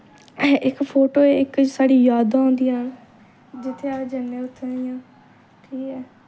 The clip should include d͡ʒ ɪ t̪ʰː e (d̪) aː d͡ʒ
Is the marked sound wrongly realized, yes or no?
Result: yes